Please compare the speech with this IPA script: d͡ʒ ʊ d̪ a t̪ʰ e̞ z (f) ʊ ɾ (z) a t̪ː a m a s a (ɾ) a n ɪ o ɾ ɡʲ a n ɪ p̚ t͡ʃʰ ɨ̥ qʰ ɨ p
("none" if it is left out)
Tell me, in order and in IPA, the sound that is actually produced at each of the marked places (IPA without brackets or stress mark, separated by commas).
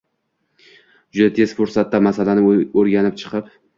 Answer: f, s, l